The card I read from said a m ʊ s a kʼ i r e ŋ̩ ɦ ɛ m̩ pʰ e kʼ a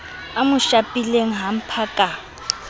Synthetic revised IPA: a m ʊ ʃ a pʼ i l e ŋ̩ ɦ a m̩ pʰ a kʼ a